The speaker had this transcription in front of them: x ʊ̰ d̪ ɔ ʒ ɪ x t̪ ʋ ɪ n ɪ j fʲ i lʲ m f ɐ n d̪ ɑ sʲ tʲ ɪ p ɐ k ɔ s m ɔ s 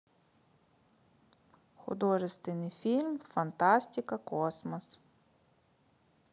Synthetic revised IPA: x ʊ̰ d̪ ɔ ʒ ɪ s t̪ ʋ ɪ n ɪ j fʲ i lʲ m f ɐ n t̪ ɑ sʲ tʲ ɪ k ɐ k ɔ s m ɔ s